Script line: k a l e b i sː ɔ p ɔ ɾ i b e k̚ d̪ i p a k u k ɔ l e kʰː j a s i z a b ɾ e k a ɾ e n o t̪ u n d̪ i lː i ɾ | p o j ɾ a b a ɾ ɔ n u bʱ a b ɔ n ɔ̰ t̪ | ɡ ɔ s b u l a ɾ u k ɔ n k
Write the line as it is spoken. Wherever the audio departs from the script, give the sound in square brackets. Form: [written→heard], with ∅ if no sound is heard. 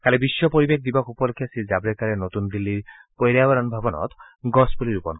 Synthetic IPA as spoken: k a l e b i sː ɔ p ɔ ɾ i b e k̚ d̪ i [p→b] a k u [k→p] ɔ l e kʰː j a s i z a b ɾ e k a ɾ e n o t̪ u n d̪ i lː i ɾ | p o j ɾ a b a ɾ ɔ n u bʱ a b ɔ n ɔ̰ t̪ | ɡ ɔ s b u l [a→i] ɾ u [k→p] ɔ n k

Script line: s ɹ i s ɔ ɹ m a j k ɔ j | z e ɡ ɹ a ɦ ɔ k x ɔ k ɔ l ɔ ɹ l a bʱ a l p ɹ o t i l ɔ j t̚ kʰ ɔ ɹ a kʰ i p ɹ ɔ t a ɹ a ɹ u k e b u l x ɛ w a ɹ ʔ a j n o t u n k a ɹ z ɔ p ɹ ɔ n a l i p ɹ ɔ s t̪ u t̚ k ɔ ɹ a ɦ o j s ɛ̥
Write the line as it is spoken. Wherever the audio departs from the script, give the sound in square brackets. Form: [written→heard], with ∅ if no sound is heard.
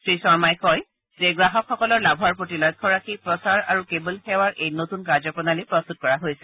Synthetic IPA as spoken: s ɹ i s ɔ ɹ m a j k ɔ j | z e ɡ ɹ a ɦ ɔ k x ɔ k ɔ l ɔ ɹ l a bʱ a [l→ɹ] p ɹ o t i l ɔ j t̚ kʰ ɔ ɹ a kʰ i p ɹ ɔ [t→s] a ɹ a ɹ u k e b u l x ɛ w a ɹ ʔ [a→e] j n o t u n k a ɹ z ɔ p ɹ ɔ n a l i p ɹ ɔ s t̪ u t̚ k ɔ ɹ a ɦ o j s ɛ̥

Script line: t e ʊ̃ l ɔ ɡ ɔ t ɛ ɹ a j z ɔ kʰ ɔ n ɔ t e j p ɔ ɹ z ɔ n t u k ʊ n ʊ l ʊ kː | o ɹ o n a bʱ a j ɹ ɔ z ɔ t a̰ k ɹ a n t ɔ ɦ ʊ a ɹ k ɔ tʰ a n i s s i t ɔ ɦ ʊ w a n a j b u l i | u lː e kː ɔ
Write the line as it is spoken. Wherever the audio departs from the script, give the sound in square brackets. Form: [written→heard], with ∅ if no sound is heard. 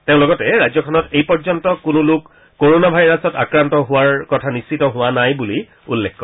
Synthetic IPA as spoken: t e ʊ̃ l ɔ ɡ ɔ t ɛ ɹ a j z ɔ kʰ ɔ n ɔ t e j p ɔ ɹ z ɔ n t [u→ɔ] k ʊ n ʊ l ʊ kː | o ɹ o n a bʱ a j ɹ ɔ [z→s] ɔ t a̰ k ɹ a n t ɔ ɦ ʊ a ɹ k ɔ tʰ a n i s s i t ɔ ɦ ʊ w a n a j b u l i | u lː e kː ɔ

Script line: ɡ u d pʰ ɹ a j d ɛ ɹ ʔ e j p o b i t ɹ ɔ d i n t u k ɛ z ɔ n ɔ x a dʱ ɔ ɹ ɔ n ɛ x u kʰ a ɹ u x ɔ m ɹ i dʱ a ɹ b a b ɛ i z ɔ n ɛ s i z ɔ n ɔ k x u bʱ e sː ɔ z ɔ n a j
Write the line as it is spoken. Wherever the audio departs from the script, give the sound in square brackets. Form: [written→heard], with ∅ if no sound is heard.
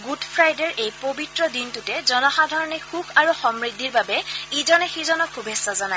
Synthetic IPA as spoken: ɡ u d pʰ ɹ a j d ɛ ɹ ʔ e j p o b i t ɹ ɔ d i n t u [k→t] ɛ z ɔ n ɔ x a dʱ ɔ ɹ ɔ n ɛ x u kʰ a ɹ u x ɔ m ɹ i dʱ [a→i] ɹ b a b ɛ i z ɔ n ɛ [s→x] i z ɔ n ɔ k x u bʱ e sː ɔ z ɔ n a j

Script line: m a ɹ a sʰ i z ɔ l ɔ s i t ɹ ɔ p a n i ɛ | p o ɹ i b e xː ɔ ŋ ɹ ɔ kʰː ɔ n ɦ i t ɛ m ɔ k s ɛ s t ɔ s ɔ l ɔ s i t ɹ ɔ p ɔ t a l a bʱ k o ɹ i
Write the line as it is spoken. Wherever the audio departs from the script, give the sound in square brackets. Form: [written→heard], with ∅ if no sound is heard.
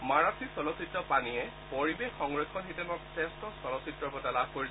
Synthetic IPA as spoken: m a ɹ a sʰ i [z→s] ɔ l ɔ s i t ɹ ɔ p a n i ɛ | p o ɹ i b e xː ɔ ŋ ɹ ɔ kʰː ɔ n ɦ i t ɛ m ɔ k s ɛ s t ɔ s ɔ l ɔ s i t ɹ ɔ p ɔ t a l a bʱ k o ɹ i

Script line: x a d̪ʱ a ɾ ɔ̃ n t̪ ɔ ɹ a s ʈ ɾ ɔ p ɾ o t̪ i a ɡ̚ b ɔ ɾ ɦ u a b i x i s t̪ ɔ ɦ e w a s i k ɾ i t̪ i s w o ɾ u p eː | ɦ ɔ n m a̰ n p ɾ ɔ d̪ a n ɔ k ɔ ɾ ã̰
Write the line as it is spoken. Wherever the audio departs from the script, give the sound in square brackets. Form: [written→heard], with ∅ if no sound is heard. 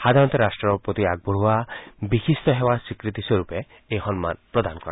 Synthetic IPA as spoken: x a d̪ʱ a ɾ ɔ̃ n t̪ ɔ [ɹ→ɾ] a s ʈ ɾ ɔ p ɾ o t̪ i a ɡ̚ b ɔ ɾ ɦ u a b i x i s t̪ ɔ ɦ e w a s i k ɾ i t̪ i s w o ɾ u p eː | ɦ ɔ n m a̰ n p ɾ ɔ d̪ a n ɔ k ɔ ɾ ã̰

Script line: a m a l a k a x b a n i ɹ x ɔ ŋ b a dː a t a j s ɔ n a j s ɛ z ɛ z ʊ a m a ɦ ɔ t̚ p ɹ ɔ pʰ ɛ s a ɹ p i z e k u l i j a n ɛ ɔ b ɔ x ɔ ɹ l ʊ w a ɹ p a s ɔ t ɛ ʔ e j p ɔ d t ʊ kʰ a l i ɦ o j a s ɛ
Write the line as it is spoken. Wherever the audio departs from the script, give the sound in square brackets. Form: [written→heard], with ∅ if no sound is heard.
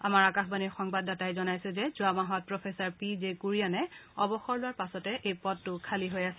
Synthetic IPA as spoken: a m a [l→ɹ] a k a x b a n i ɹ x ɔ ŋ b a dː a t a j [s→z] ɔ n a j s ɛ z ɛ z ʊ a m a ɦ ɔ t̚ p ɹ ɔ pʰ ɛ s a ɹ p i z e k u [l→ɹ] i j a n ɛ ɔ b ɔ x ɔ ɹ l ʊ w a ɹ p a s ɔ t ɛ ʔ e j p ɔ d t ʊ kʰ a l i ɦ o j a s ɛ

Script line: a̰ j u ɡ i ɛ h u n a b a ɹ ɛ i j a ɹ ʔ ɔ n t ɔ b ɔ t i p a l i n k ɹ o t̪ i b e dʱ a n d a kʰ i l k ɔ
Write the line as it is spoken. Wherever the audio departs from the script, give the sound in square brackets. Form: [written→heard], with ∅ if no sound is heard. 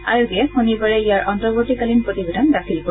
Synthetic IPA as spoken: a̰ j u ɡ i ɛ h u n [a→i] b a ɹ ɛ i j a ɹ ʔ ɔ n t ɔ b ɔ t i [p→k] a l i n [k→p] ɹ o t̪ i b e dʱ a n d a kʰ i l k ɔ

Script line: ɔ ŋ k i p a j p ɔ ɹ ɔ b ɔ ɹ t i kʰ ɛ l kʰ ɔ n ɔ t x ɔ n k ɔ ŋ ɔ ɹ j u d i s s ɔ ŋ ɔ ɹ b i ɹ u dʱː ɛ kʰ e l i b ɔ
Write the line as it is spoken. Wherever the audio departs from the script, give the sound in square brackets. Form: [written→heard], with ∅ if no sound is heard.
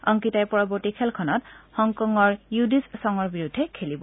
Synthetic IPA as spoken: ɔ ŋ k i [p→t] a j p ɔ ɹ ɔ b ɔ ɹ t i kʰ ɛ l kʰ ɔ n ɔ t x ɔ [n→ŋ] k ɔ ŋ ɔ ɹ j u d i s s ɔ ŋ ɔ ɹ b i ɹ u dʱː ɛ kʰ e l i b ɔ

